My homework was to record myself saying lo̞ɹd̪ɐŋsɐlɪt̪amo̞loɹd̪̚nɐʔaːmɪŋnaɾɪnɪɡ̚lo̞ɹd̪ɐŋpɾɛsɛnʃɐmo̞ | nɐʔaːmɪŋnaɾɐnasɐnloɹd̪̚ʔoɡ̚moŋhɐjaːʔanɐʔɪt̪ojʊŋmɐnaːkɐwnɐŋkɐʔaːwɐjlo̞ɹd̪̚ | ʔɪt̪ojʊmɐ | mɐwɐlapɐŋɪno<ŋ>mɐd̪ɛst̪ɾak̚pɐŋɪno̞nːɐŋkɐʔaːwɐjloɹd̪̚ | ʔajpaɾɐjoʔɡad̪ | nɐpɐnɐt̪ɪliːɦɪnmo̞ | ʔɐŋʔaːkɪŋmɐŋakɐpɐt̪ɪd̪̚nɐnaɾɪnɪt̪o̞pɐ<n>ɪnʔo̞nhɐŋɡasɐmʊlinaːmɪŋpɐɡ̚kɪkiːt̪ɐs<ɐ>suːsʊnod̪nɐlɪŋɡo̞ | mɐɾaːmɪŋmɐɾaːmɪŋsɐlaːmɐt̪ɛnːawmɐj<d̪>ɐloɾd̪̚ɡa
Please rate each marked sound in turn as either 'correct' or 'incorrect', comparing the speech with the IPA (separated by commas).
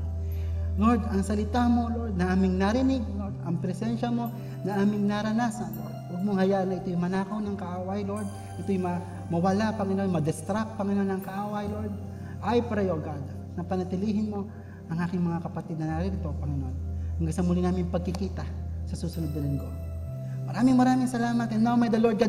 incorrect, incorrect, correct, correct